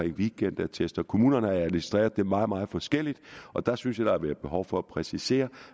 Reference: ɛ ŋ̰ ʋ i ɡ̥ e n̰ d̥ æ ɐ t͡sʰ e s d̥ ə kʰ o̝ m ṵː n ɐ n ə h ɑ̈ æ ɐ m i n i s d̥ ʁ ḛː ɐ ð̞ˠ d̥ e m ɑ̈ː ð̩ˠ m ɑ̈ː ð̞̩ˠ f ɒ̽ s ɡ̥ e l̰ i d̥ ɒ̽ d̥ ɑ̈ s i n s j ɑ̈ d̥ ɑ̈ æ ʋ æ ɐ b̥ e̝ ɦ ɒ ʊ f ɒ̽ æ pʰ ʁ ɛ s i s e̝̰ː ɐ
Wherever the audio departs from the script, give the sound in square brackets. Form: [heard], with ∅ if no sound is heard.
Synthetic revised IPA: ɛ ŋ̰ ʋ i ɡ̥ e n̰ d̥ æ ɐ t͡sʰ e s d̥ [ɐ] kʰ o̝ m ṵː n ɐ n ə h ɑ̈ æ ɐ m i n i s d̥ ʁ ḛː ɐ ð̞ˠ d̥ e m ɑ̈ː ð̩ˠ m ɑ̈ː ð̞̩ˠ f ɒ̽ s ɡ̥ e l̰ i d̥ ɒ̽ d̥ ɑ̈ s [y] n s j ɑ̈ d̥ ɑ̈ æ ʋ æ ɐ b̥ e̝ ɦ ɒ ʊ f ɒ̽ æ pʰ ʁ ɛ s i s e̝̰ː ɐ